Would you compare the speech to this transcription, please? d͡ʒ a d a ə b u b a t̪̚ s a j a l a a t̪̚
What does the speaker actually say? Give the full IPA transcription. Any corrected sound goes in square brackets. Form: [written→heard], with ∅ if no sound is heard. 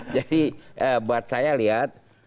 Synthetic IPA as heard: d͡ʒ a d [a→i] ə b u [b→∅] a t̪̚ s a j a l [a→i] a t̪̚

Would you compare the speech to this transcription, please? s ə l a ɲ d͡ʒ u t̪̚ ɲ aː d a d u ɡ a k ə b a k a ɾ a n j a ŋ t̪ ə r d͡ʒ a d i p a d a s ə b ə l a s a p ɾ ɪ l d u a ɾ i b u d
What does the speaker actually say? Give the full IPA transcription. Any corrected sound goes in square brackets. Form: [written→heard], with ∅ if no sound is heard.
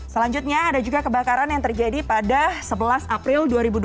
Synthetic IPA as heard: s ə l a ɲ d͡ʒ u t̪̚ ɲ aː d a [d→d͡ʒ] u ɡ a k ə b a k a ɾ a n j a ŋ t̪ ə r d͡ʒ a d i p a d a s ə b ə l a s a p ɾ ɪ l d u a ɾ i b u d

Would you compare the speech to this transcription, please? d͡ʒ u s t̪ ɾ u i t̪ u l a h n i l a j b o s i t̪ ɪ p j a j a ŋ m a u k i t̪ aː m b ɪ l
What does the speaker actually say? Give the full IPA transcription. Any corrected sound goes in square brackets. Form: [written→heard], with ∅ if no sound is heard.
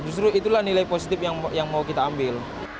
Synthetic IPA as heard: d͡ʒ u s t̪ ɾ u i t̪ u l a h n i l a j [b→p] o s i t̪ ɪ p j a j a ŋ m a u k i t̪ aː m b ɪ l

